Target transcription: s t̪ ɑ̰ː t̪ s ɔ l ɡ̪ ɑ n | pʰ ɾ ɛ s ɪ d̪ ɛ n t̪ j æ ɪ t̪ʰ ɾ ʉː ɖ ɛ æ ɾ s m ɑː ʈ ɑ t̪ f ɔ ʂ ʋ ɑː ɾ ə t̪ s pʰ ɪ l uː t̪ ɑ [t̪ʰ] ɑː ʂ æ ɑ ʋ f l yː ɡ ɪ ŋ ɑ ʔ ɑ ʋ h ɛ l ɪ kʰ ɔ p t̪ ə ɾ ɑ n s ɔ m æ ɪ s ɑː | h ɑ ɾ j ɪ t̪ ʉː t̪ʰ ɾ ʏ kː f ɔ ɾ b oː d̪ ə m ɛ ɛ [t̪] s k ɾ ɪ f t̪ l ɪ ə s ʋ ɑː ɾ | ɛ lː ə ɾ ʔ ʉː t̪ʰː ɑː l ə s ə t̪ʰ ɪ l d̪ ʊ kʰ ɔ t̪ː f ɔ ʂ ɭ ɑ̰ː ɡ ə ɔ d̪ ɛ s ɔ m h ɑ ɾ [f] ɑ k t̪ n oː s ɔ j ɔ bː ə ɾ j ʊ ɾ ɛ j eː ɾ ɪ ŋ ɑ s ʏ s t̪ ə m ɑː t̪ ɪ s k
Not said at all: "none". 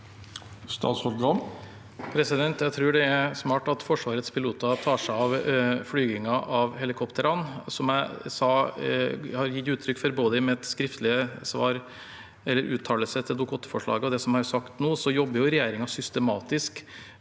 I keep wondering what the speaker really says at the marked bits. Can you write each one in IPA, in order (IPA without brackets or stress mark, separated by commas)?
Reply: t̪ʰ, t̪, s